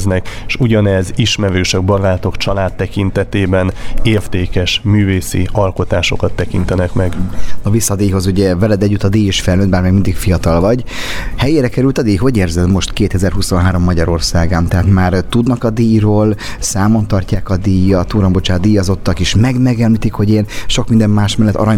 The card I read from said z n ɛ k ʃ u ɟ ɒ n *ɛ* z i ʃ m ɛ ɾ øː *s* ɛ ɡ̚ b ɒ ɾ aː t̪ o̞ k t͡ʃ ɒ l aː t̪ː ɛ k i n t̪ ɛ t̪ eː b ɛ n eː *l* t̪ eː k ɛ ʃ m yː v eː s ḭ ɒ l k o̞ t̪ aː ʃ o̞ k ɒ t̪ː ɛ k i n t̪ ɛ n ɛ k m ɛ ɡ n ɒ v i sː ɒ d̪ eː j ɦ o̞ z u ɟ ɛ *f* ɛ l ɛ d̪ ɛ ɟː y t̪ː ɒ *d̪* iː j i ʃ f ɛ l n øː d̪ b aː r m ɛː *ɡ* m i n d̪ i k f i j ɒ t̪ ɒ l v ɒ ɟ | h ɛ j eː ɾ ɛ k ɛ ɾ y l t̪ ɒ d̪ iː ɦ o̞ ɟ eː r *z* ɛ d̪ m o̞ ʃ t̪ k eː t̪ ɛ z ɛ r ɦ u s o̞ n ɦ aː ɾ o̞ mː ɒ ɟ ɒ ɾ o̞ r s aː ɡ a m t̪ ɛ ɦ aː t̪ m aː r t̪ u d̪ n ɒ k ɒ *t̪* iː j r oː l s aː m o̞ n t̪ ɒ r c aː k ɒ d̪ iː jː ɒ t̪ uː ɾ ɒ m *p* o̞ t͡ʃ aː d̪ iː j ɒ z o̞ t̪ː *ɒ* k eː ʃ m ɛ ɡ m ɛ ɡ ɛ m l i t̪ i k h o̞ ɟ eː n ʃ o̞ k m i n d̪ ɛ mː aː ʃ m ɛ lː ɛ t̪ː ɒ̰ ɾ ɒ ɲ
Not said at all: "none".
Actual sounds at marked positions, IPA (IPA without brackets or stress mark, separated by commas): ɛ, ʃ, r, v, d̪, ɡ, z, d̪, b, ɒ